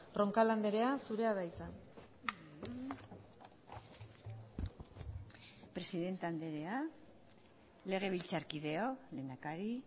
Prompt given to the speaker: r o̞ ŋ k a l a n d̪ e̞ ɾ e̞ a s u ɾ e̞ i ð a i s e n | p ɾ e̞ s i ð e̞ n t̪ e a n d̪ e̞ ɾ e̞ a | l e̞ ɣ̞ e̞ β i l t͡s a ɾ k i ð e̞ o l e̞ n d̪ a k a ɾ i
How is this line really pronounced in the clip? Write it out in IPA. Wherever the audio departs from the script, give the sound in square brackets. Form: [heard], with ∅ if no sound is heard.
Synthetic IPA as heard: r o̞ ŋ k a l a n d̪ e̞ ɾ e̞ a s u ɾ e̞ [a] ð a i s [a] n | p ɾ e̞ s i ð e̞ n t̪ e a n d̪ e̞ ɾ e̞ a | l e̞ ɣ̞ e̞ β i l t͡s a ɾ k i ð e̞ o l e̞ n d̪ a k a ɾ i